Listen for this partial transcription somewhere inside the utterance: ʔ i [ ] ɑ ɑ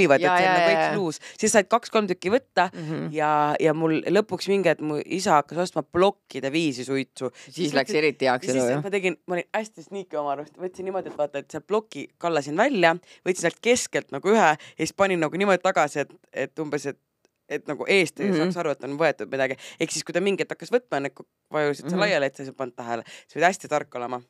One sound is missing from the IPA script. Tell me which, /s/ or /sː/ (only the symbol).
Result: s